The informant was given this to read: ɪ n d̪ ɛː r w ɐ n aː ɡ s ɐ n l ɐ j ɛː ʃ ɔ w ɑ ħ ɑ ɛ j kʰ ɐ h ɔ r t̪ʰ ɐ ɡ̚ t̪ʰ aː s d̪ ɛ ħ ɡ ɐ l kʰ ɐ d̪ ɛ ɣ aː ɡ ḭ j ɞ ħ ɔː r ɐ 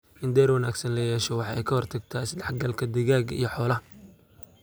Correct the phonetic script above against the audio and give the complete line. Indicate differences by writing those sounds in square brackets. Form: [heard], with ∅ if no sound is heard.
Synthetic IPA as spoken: ɪ n d̪ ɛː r w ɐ n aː ɡ s ɐ n l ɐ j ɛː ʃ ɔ w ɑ ħ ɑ ɛ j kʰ ɐ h ɔ r t̪ʰ ɐ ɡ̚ t̪ʰ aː s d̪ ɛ ħ ɡ ɐ l kʰ ɐ d̪ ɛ ɣ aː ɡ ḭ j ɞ ħ ɔː [l] ɐ